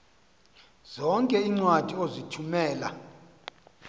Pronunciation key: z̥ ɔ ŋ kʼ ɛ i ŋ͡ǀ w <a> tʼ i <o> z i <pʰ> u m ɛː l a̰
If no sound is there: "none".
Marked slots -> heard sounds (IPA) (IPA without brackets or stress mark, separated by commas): a, o, tʰ